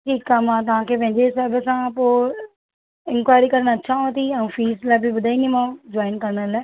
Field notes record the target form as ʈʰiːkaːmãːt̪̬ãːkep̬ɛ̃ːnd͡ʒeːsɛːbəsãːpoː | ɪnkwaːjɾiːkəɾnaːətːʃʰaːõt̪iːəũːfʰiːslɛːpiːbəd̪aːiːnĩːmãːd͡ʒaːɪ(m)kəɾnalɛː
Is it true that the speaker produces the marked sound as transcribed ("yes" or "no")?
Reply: no